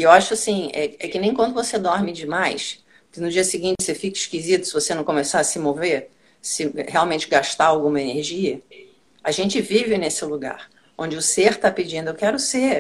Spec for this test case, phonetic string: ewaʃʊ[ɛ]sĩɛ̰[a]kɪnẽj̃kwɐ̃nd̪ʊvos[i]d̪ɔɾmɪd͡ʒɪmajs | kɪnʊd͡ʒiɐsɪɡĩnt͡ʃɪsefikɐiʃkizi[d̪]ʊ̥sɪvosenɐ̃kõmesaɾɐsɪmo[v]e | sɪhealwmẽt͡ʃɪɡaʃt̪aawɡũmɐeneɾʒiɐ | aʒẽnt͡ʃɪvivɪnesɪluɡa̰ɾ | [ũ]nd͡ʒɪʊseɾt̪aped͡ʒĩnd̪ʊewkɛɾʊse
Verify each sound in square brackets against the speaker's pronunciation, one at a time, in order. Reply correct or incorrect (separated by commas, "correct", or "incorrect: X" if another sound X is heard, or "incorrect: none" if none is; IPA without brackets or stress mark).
incorrect: a, incorrect: ɛ, incorrect: e, incorrect: t̪, correct, incorrect: õ